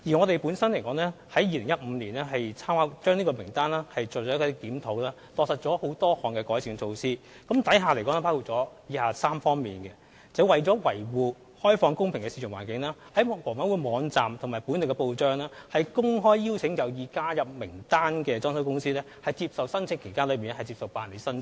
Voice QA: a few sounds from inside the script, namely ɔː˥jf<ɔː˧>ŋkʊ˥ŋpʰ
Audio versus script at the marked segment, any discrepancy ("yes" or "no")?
no